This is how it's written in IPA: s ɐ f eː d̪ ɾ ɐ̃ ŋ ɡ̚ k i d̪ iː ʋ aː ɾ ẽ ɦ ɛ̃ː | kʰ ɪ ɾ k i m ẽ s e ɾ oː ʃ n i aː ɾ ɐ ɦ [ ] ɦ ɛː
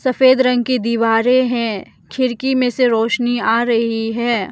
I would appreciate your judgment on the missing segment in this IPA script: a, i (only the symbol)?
i